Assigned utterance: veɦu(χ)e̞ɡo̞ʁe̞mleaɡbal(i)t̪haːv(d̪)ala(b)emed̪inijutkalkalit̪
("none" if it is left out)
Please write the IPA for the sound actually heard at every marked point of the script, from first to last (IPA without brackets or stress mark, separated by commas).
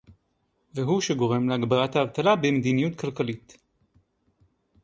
ʃ, a, t̪, b